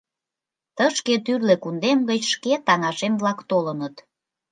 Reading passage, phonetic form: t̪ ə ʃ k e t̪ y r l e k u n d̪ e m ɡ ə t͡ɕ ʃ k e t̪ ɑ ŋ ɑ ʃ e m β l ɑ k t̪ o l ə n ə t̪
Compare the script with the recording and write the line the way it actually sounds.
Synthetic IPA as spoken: t̪ ə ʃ k e t̪ y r l e k u n d̪ e m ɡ ə t͡ɕ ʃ k e t̪ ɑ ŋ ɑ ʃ e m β l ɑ k t̪ o l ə n ə t̪